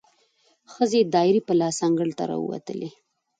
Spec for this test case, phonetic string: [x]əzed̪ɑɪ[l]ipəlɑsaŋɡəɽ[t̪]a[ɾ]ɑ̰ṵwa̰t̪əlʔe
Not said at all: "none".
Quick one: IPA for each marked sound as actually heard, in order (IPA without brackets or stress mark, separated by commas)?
x, ɾ, t̪, ɾ